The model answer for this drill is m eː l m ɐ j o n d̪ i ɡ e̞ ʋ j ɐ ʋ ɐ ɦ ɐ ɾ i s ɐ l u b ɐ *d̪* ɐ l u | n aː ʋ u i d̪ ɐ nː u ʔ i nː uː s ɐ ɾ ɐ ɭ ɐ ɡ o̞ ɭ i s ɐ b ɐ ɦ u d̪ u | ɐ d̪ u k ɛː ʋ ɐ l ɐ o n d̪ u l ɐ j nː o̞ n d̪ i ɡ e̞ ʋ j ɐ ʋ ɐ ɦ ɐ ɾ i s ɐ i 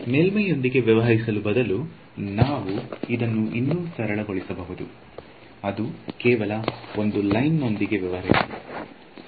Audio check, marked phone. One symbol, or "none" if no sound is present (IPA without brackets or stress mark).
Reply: d̪